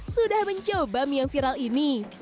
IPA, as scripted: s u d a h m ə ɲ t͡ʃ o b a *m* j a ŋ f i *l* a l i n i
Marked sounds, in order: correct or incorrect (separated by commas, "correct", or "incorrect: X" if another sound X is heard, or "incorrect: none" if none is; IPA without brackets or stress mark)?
correct, incorrect: ɾ